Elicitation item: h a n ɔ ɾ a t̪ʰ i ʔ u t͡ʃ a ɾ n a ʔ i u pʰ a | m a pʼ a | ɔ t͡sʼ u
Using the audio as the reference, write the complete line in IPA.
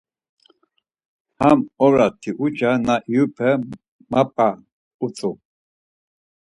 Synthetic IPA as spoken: h a m ɔ ɾ a t̪ʰ i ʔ u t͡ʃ a n a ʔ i u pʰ ɛ | m a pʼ a | u t͡sʼ u